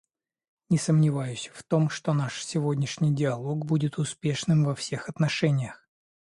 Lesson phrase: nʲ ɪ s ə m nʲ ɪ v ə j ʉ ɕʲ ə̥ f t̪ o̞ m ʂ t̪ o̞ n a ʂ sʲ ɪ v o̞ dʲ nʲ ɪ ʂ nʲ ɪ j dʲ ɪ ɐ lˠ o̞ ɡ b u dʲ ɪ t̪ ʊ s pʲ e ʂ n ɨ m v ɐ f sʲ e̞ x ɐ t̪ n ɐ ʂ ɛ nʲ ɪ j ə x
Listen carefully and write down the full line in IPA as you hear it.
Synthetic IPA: nʲ ɪ s ə m nʲ ɪ v a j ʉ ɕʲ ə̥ f t̪ o̞ m ʂ t̪ o̞ n a ʂ sʲ ɪ v o̞ dʲ nʲ ɪ ʂ nʲ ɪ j dʲ ɪ ɐ lˠ o̞ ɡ b u dʲ ɪ t̪ ʊ s pʲ e ʂ n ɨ m v ɐ f sʲ e̞ x ɐ t̪ n ɐ ʂ ɛ nʲ ɪ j ə x